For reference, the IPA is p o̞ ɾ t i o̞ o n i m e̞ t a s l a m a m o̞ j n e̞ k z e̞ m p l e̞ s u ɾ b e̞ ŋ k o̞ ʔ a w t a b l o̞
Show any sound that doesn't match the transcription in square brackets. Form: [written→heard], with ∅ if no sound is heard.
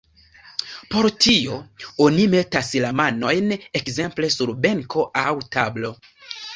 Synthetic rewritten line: p o̞ ɾ t i o̞ o n i m e̞ t a s l a m a [m→n] o̞ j n e̞ k z e̞ m p l e̞ s u ɾ b e̞ ŋ k o̞ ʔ a w t a b l o̞